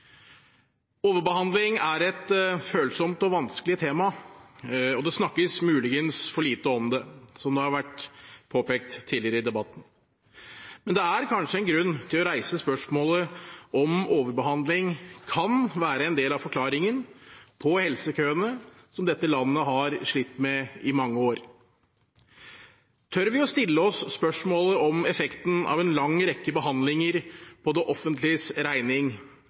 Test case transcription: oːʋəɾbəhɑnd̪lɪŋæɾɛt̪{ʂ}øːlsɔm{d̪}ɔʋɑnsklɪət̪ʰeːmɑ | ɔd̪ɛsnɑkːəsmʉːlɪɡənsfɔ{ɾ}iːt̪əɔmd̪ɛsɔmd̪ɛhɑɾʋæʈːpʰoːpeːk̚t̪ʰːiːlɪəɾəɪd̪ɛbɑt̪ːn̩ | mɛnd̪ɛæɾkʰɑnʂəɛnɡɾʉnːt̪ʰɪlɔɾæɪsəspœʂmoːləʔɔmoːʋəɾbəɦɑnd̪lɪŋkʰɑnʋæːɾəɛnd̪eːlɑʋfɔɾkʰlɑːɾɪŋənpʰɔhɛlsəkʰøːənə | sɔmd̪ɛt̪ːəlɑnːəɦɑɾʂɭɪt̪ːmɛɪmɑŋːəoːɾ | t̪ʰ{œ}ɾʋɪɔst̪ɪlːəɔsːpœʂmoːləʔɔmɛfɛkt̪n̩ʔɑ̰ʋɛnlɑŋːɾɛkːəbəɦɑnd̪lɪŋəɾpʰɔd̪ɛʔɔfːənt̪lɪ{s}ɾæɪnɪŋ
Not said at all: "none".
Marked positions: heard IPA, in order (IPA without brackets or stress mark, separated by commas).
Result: f, t̪, ɭ, œ, s